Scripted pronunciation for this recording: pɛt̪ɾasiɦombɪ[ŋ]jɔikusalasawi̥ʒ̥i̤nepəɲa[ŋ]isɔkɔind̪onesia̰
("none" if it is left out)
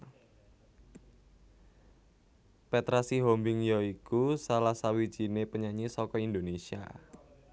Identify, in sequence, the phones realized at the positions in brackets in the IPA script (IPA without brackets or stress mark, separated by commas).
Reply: ŋ, ɲ